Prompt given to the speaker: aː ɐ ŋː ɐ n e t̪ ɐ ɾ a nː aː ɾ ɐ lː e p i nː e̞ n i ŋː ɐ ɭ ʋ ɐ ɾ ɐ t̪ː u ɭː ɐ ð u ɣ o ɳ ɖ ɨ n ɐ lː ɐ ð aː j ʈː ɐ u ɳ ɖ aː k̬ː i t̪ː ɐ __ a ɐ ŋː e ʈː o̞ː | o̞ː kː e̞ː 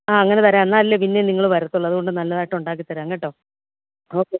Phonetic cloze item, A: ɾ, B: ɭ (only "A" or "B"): A